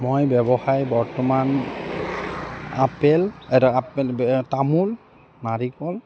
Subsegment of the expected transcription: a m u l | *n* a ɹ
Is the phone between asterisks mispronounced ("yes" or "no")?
no